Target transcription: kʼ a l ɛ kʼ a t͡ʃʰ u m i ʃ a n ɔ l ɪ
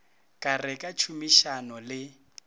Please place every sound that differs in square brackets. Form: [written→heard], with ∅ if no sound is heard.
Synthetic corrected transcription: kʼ a [l→r] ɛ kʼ a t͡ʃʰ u m i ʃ a n ɔ l ɪ

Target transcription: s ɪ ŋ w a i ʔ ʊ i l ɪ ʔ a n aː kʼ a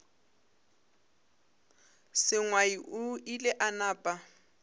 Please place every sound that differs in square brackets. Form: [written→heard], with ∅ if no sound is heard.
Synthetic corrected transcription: s ɪ ŋ w a i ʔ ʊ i l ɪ ʔ a n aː [kʼ→pʼ] a

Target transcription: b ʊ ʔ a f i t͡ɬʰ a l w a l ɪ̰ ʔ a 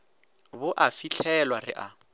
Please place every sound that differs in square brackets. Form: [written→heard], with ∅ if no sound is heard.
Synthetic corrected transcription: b ʊ ʔ a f i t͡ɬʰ [a→ɛ] l w a [l→r] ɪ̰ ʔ a

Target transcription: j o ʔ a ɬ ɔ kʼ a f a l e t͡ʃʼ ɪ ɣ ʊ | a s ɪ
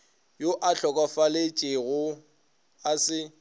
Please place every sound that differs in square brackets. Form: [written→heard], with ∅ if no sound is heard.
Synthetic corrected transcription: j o ʔ a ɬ ɔ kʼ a f a l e t͡ʃʼ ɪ ɣ ʊ | a s ɪ

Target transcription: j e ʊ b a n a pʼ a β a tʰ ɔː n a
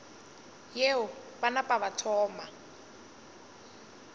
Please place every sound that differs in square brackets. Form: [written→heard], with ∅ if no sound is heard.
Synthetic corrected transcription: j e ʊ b a n a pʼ a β a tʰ ɔː [n→m] a

